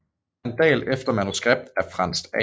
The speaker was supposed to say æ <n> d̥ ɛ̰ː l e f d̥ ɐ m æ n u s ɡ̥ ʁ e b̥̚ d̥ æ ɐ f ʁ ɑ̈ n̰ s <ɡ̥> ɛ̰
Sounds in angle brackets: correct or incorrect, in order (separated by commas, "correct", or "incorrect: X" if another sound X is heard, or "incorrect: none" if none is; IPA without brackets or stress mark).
correct, incorrect: d̥